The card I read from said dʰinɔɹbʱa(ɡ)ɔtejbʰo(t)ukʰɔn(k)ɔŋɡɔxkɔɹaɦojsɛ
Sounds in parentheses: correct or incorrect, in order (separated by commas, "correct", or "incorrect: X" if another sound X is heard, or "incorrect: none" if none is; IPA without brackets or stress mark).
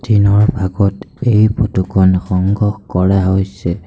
correct, correct, incorrect: x